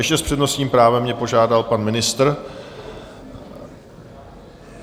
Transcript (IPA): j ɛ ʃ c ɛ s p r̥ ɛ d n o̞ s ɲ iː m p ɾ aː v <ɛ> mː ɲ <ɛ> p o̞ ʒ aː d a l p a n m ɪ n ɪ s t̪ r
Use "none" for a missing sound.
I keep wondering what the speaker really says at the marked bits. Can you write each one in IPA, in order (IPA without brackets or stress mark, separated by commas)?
ɛ, ɛ